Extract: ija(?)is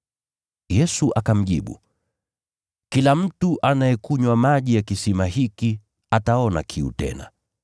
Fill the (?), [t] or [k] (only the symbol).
k